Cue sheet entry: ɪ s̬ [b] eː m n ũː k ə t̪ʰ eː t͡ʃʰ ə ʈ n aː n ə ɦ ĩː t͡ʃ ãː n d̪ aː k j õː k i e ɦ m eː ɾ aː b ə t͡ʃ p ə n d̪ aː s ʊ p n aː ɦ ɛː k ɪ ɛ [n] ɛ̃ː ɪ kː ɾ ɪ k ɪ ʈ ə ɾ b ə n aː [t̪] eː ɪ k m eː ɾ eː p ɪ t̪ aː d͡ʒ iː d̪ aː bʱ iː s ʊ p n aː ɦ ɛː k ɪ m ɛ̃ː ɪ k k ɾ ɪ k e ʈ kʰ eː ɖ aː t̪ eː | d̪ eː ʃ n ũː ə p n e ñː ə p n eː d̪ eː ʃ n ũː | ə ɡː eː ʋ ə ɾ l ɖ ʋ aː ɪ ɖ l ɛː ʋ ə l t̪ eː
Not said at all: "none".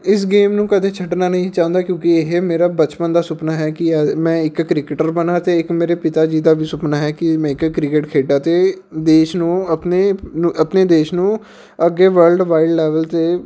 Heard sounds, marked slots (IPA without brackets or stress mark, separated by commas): ɡ, m, t̪